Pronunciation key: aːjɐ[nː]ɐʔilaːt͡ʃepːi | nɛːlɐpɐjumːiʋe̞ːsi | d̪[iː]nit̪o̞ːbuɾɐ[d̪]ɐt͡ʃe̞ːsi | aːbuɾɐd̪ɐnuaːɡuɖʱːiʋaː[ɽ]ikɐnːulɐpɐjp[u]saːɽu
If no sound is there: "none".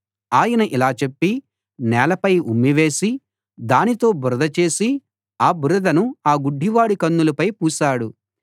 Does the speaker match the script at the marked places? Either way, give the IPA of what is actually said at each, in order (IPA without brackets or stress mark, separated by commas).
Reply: n, aː, d̪, ɽ, uː